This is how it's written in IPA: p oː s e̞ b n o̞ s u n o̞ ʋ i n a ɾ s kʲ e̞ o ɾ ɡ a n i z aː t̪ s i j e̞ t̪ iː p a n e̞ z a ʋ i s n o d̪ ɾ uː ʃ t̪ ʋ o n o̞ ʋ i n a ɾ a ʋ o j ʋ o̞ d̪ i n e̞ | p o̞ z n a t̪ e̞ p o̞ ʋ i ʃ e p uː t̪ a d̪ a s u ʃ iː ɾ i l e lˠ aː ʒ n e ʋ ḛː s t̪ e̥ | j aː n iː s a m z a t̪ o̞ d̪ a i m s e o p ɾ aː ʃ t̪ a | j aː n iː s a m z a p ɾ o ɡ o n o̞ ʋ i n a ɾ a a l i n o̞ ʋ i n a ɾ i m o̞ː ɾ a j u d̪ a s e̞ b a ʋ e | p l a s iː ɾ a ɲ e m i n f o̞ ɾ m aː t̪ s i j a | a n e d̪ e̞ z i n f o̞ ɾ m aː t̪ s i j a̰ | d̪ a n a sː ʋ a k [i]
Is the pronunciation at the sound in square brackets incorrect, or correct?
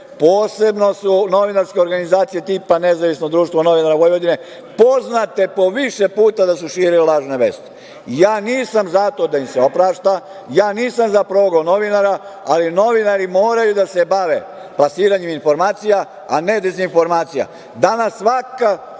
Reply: incorrect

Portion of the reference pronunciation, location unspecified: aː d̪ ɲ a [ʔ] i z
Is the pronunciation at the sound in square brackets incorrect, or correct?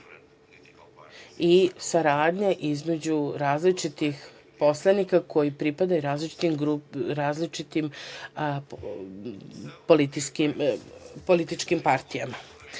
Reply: correct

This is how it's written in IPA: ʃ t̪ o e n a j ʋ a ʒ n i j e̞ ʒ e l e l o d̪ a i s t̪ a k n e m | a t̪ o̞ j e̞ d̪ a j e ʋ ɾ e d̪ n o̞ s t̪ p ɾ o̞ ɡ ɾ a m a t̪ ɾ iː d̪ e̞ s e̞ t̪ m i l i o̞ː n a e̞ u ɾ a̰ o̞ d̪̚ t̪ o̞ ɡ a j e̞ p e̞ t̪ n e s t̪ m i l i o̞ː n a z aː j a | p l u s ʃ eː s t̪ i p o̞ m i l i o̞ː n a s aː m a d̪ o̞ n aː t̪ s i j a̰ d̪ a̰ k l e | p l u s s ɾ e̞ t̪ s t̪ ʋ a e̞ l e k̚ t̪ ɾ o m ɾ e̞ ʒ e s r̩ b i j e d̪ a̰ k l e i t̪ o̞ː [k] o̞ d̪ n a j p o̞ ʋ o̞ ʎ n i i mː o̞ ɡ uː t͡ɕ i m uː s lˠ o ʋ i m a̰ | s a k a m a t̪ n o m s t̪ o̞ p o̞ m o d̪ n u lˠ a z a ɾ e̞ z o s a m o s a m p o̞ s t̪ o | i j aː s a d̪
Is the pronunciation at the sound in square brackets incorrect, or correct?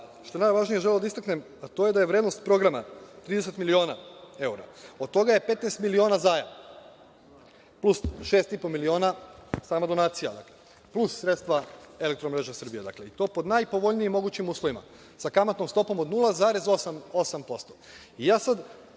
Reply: incorrect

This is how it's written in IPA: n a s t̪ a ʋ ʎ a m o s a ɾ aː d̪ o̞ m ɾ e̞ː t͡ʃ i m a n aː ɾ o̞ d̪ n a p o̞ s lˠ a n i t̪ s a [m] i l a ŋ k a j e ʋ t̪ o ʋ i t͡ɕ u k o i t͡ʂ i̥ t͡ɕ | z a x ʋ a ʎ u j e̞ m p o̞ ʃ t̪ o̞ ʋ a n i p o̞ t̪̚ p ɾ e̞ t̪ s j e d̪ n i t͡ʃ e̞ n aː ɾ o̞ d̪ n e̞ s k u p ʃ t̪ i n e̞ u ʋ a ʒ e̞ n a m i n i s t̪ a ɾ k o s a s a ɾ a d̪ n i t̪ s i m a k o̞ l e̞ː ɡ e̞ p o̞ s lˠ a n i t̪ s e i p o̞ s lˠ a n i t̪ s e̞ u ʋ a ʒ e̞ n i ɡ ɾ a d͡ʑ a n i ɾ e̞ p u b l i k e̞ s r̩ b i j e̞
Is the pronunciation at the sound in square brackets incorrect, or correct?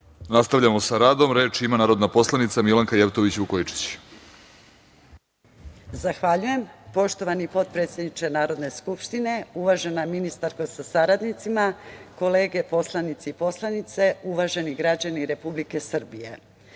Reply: correct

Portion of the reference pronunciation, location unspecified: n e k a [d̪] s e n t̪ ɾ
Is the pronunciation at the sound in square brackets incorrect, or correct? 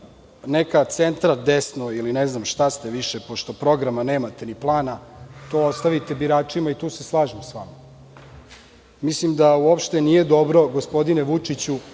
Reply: incorrect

